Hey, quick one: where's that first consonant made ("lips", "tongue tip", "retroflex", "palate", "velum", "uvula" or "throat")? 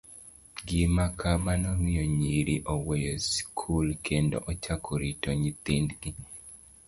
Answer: velum